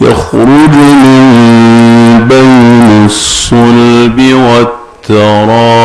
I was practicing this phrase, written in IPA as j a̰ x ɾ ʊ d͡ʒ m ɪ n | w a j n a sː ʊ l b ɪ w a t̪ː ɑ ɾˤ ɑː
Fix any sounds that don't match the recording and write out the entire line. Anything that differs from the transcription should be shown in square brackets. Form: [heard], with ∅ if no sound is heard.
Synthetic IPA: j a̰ x ɾ ʊ d͡ʒ m ɪ n | [b] a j n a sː ʊ l b ɪ w a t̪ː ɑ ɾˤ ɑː